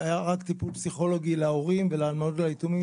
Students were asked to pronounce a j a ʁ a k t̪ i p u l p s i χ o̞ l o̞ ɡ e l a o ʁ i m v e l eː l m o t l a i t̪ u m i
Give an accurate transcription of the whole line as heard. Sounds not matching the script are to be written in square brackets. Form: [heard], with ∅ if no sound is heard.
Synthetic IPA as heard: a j a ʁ a k t̪ i p u l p s i χ o̞ l o̞ ɡ [i] l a o ʁ i m v e l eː l m o [d] l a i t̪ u m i